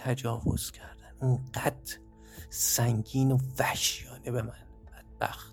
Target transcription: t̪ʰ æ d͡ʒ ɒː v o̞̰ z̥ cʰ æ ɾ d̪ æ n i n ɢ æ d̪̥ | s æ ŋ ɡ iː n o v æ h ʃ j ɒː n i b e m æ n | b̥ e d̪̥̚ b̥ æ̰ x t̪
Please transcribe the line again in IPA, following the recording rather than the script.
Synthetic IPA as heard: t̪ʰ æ d͡ʒ ɒː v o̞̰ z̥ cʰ æ ɾ d̪ æ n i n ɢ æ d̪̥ | s æ ŋ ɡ iː n o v æ h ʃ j ɒː n e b e m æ n | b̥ æ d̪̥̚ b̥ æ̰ x t̪